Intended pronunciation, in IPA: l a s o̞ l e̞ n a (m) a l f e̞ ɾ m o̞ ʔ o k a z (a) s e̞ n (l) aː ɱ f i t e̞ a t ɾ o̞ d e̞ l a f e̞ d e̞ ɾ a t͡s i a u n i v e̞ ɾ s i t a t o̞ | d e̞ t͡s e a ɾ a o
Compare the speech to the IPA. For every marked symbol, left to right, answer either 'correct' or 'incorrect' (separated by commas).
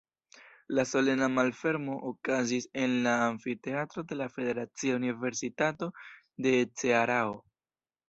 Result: correct, incorrect, correct